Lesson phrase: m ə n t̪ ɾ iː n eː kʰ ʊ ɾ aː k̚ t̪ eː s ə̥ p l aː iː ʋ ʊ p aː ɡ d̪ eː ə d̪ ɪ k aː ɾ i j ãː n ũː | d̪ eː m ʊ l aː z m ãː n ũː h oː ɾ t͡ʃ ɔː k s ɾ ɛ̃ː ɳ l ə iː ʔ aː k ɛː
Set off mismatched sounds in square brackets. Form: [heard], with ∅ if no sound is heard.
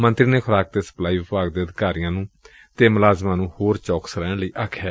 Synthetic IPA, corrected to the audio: m ə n t̪ ɾ iː n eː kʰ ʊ ɾ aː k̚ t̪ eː s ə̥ p l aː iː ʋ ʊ p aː ɡ d̪ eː ə d̪ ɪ k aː ɾ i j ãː n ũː | [t̪] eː m ʊ l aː z m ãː n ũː h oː ɾ t͡ʃ ɔː k s ɾ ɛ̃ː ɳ l ə iː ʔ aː [kʰ] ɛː